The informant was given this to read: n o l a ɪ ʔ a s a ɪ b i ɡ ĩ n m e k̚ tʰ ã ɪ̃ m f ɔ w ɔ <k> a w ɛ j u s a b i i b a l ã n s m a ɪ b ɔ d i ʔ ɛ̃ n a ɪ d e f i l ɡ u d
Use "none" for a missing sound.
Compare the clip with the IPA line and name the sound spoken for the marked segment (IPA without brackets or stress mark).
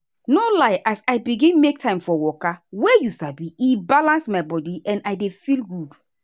k